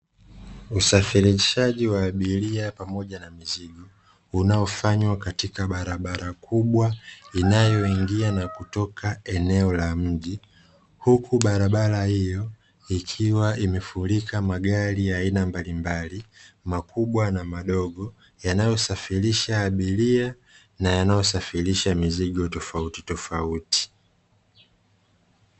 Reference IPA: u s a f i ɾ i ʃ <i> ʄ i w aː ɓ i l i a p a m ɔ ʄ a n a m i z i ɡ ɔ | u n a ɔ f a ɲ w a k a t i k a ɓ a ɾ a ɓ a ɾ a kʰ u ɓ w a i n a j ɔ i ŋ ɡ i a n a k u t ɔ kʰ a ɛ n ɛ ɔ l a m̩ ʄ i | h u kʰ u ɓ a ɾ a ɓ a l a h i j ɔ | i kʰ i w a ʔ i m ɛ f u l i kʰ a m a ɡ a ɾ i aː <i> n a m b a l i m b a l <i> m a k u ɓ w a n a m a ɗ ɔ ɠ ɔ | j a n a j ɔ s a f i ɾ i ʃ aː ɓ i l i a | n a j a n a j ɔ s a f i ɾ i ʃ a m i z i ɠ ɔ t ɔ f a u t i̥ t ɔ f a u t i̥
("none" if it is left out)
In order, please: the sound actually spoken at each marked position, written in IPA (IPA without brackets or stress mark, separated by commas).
a, i, i